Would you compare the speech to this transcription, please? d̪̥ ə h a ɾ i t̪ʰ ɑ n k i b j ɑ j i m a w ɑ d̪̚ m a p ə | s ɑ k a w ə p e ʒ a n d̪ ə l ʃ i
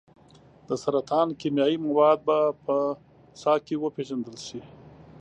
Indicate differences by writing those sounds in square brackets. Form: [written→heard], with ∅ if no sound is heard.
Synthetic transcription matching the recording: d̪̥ ə [h→s] a ɾ [i→a] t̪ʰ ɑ n k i [b→m] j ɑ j i m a w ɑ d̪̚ [m→b] a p ə | s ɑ k [a→e] w ə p e ʒ a n d̪ ə l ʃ i